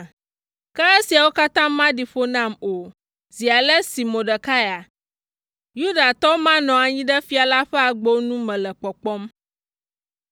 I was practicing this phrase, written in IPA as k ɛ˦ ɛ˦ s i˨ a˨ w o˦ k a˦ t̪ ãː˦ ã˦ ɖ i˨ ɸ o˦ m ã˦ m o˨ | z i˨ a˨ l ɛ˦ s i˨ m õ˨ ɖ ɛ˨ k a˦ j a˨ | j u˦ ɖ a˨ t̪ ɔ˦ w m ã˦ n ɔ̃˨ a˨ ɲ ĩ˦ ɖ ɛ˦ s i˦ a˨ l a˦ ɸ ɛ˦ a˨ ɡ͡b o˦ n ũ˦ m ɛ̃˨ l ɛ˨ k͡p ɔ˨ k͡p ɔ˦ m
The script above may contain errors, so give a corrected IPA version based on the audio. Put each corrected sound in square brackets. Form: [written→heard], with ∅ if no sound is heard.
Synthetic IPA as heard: k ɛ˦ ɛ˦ s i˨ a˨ w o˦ k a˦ t̪ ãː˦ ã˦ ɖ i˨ ɸ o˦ [m→n] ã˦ m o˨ | z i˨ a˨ l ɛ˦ s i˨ m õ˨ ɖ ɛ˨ k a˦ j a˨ | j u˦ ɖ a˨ t̪ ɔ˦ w m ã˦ n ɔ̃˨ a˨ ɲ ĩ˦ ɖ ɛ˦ [s→f] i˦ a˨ l a˦ ɸ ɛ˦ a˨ ɡ͡b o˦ n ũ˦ m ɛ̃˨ l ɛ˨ k͡p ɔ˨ k͡p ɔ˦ m

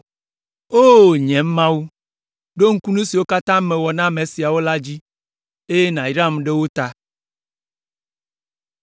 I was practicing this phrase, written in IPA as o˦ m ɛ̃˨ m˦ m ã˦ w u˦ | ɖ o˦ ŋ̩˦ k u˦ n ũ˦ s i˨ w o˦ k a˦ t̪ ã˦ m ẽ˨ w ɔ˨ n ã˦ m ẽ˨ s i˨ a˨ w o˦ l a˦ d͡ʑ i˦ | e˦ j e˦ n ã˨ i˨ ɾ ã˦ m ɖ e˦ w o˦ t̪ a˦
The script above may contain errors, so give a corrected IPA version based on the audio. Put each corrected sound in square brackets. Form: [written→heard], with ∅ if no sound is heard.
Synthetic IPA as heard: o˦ [m→ɲ] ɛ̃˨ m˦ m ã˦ w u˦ | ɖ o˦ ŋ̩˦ k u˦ n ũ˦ s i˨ w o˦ k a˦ t̪ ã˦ m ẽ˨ w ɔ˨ n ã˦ m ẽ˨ s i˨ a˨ w o˦ l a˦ d͡ʑ i˦ | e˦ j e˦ n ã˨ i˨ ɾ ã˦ m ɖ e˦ w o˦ t̪ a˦

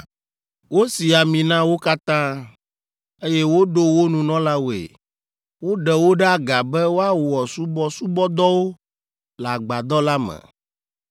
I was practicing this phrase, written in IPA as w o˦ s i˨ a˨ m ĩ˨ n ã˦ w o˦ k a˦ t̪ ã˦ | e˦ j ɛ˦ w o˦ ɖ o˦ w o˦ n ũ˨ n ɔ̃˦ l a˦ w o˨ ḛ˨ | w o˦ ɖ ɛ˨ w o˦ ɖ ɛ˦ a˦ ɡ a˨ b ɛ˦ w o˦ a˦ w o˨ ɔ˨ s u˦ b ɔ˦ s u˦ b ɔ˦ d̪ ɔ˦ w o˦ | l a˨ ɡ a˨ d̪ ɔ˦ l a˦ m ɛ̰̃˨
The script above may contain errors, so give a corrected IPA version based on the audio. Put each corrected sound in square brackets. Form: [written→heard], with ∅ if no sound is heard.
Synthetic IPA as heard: w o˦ s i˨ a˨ m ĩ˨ n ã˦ w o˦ k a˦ t̪ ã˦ | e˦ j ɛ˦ w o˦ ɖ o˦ w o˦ n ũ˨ n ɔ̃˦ l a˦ w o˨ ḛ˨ | w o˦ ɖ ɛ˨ w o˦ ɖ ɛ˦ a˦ ɡ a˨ b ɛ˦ w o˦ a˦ w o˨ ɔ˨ s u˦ b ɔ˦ s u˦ b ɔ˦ d̪ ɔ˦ w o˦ | l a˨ [ɡ→ɡ͡b] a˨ d̪ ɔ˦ l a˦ m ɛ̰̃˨

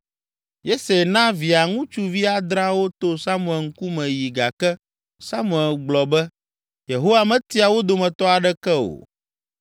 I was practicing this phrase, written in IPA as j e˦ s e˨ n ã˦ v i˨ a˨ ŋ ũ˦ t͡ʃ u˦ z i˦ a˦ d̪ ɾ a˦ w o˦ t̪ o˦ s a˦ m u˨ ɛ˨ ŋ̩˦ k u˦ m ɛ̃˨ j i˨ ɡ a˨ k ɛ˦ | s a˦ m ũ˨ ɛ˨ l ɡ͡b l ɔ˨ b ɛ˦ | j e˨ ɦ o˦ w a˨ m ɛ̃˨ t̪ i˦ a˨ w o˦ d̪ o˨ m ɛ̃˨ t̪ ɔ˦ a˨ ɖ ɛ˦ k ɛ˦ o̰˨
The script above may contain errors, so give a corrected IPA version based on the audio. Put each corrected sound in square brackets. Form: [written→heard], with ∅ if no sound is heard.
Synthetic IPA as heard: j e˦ s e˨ n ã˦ v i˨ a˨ ŋ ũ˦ t͡ʃ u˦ [z→v] i˦ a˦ d̪ ɾ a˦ w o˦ t̪ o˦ s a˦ m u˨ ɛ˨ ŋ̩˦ k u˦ m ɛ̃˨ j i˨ ɡ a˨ k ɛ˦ | s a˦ m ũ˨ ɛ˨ l ɡ͡b l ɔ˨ b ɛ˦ | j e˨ ɦ o˦ w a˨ m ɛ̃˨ t̪ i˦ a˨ w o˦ d̪ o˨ m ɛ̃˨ t̪ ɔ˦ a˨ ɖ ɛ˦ k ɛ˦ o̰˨

